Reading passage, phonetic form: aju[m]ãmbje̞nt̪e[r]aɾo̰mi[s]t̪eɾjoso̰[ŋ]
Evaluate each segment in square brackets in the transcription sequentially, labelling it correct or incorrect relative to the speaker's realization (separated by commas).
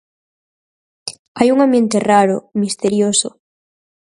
incorrect, correct, correct, incorrect